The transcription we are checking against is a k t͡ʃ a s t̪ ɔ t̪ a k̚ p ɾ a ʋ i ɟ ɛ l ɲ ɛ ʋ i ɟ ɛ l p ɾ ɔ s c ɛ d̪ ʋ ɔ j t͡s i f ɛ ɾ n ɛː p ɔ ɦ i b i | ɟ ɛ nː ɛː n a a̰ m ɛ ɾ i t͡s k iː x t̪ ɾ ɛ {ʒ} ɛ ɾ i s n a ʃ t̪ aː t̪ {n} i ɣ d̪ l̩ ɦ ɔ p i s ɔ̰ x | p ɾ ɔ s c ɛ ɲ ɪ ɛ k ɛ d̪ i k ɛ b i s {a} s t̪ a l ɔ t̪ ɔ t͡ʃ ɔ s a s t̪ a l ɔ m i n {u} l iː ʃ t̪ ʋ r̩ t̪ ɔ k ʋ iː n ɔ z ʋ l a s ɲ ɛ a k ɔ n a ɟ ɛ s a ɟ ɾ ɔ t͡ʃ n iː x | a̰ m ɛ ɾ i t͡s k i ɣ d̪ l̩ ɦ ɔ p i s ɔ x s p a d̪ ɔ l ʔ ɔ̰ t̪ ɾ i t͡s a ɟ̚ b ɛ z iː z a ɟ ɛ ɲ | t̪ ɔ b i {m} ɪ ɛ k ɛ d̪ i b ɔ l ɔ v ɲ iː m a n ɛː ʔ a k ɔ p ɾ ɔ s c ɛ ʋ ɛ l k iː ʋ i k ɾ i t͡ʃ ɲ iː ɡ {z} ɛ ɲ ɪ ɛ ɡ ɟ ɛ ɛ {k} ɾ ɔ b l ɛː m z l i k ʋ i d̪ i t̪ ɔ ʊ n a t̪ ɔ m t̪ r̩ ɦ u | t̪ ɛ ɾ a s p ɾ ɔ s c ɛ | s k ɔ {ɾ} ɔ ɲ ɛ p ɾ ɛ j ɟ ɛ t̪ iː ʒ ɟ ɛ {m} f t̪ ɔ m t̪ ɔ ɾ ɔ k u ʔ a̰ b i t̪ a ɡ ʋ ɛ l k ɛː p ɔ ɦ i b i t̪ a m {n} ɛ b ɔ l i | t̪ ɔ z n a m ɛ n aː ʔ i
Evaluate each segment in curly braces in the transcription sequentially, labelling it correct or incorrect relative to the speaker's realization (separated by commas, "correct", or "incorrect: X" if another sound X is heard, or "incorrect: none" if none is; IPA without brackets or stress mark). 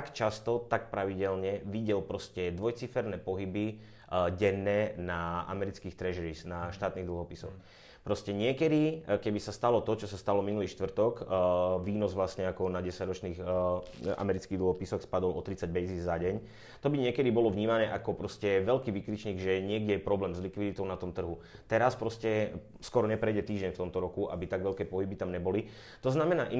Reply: correct, correct, correct, correct, incorrect: ɲ, incorrect: ʒ, incorrect: p, correct, incorrect: ɲ, incorrect: ɲ